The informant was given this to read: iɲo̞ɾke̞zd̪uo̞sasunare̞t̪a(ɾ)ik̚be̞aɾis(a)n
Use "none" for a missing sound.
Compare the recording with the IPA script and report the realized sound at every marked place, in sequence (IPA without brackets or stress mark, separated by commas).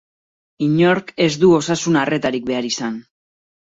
ɾ, a